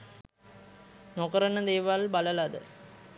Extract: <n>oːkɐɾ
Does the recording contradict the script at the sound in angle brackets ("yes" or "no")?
no